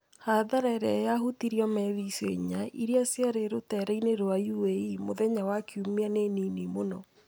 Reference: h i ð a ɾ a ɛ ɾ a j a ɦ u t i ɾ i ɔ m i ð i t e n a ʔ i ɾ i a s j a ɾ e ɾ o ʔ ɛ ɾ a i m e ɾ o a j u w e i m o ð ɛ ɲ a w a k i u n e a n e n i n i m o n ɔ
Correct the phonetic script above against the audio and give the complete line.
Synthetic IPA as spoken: h a ð a ɾ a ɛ ɾ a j a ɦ u t i ɾ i ɔ m ɛ ð i s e ɲ a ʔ i ɾ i a s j a ɾ e ɾ o t ɛ ɾ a i n e ɾ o a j u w e i m o ð ɛ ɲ a w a k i u m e a n e n i n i m o n ɔ